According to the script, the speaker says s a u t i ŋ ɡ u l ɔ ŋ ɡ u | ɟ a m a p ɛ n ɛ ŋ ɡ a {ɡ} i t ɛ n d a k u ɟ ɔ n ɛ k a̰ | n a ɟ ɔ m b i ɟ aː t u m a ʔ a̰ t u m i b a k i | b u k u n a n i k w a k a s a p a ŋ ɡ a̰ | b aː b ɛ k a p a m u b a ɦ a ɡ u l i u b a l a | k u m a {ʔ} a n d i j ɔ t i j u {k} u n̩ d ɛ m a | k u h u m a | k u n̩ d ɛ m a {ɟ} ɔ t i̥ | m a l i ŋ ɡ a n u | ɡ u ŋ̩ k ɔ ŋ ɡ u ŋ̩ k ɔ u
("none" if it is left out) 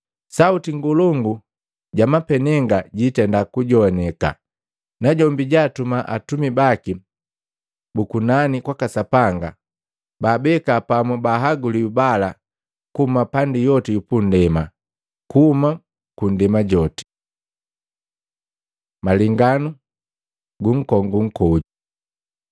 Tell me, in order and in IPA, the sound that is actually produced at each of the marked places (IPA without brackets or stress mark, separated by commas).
ɟ, p, p, ɟ